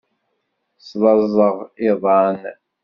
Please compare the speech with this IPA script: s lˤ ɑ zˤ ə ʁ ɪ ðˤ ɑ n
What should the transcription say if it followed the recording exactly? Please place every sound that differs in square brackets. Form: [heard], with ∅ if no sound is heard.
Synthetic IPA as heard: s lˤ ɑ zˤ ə ʁ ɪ ðˤ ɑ n